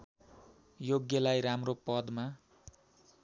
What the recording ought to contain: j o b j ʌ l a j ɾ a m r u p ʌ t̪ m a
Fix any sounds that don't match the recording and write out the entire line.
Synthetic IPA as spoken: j o ɡ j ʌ l a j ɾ a m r o p ʌ d̪ m a